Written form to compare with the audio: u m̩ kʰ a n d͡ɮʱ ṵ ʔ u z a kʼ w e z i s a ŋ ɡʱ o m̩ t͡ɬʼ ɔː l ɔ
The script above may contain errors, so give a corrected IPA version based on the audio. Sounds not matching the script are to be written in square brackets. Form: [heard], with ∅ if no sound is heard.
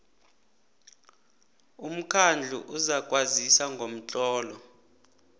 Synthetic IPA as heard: u m̩ kʰ a n d͡ɮʱ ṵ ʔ u z a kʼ w [a] z i s a ŋ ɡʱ o m̩ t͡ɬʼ ɔː l ɔ